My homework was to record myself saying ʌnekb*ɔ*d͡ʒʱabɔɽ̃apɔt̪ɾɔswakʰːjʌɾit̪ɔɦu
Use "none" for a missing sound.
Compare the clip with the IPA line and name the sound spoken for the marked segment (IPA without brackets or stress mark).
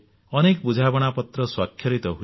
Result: u